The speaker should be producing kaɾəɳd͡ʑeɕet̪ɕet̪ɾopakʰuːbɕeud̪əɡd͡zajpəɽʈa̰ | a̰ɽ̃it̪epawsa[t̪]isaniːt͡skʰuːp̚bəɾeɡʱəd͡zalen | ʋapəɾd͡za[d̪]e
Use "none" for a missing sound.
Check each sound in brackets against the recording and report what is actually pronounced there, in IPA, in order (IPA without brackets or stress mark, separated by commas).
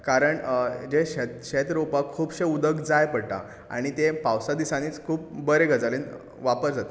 d̪, t̪